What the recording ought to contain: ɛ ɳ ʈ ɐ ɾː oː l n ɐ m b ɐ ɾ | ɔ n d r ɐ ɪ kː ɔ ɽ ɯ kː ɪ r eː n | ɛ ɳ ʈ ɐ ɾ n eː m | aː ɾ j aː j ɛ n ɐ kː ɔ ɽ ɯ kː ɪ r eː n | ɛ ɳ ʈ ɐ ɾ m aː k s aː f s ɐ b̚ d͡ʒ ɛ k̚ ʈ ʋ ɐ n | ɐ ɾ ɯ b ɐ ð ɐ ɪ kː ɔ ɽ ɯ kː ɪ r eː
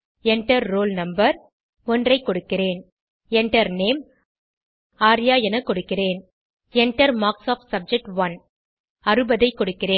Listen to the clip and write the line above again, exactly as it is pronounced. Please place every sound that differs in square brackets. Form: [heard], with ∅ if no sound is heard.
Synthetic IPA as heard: ɛ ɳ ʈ ɐ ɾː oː l n ɐ m b ɐ ɾ | ɔ n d r ɐ ɪ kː ɔ ɽ ɯ kː ɪ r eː n | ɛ ɳ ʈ ɐ ɾ n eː m | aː ɾ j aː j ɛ n ɐ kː ɔ ɽ ɯ kː ɪ r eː n | ɛ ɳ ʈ ɐ ɾ m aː k s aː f s ɐ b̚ d͡ʒ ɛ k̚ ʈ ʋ ɐ n | ɐ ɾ ɯ b ɐ ð ɐ ɪ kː ɔ ɽ ɯ kː ɪ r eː

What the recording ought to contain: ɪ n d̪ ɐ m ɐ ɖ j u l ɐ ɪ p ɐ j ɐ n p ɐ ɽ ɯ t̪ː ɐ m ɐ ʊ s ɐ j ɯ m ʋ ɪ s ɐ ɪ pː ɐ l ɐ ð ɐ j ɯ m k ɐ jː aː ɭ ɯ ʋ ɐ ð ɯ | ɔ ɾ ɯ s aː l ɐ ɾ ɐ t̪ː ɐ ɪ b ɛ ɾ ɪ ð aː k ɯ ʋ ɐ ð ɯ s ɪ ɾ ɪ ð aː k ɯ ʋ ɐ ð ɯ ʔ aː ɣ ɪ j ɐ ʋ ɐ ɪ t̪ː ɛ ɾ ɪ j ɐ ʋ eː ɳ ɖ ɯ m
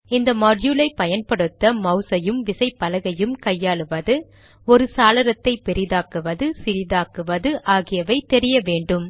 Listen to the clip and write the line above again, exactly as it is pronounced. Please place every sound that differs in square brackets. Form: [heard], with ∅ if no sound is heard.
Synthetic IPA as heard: ɪ n d̪ ɐ m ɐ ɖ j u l ɐ ɪ p ɐ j ɐ n p ɐ ɽ ɯ t̪ː ɐ m ɐ ʊ s ɐ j ɯ m ʋ ɪ s ɐ ɪ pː ɐ l ɐ [ɣ] ɐ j ɯ m k ɐ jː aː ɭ ɯ ʋ ɐ ð ɯ | ɔ ɾ ɯ s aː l ɐ ɾ ɐ t̪ː ɐ ɪ [p] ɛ ɾ ɪ ð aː k ɯ ʋ ɐ ð ɯ s ɪ ɾ ɪ ð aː k ɯ ʋ ɐ ð ɯ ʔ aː ɣ ɪ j ɐ ʋ ɐ ɪ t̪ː ɛ ɾ ɪ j ɐ ʋ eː ɳ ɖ ɯ m

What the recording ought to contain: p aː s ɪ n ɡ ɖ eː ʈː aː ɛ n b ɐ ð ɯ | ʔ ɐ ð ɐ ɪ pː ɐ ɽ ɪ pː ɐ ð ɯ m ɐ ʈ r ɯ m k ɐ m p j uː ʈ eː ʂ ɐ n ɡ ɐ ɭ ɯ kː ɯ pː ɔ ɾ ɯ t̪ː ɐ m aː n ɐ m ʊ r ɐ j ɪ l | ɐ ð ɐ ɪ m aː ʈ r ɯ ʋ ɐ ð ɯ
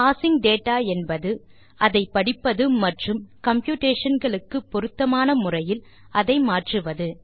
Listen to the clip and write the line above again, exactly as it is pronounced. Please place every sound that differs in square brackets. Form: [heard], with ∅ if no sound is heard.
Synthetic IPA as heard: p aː s ɪ [ŋ] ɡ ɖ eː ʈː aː ɛ n b ɐ ð ɯ | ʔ ɐ ð ɐ ɪ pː ɐ ɽ ɪ pː ɐ ð ɯ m ɐ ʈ r ɯ m k ɐ m p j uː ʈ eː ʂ ɐ n ɡ ɐ ɭ ɯ kː ɯ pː ɔ ɾ ɯ t̪ː ɐ m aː n ɐ m ʊ r ɐ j ɪ l | ɐ ð ɐ ɪ m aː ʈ r ɯ ʋ ɐ ð ɯ

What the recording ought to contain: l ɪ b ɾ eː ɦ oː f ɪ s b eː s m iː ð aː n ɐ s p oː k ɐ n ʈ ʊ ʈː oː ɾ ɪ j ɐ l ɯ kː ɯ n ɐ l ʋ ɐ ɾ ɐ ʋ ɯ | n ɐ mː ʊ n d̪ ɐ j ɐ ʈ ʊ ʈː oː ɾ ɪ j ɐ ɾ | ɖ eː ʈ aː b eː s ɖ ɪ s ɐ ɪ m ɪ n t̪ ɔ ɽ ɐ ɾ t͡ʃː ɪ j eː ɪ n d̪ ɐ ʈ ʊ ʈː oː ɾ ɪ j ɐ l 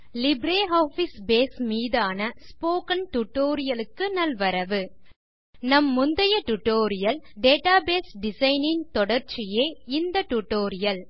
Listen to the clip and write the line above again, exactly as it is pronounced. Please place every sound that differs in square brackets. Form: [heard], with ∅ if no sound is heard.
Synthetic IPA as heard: l ɪ b ɾ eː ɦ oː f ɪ s b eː s m iː ð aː n ɐ s p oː k ɐ n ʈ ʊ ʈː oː ɾ ɪ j ɐ l ɯ kː ɯ n ɐ l ʋ ɐ ɾ ɐ ʋ ɯ | n ɐ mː ʊ n d̪ ɐ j ɐ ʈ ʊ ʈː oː ɾ ɪ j ɐ [l] | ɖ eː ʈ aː b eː s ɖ ɪ s ɐ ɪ [n] ɪ n t̪ ɔ ɽ ɐ ɾ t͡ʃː ɪ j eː ɪ n d̪ ɐ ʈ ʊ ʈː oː ɾ ɪ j ɐ l

